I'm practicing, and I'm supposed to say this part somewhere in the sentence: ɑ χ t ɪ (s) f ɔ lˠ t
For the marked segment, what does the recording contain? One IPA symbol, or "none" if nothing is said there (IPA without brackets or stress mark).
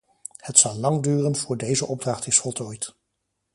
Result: s